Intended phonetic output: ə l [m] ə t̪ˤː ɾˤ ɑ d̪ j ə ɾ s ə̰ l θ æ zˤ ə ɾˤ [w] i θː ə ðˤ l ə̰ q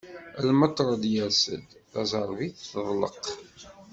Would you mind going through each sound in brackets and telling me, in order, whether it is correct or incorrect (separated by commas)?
correct, incorrect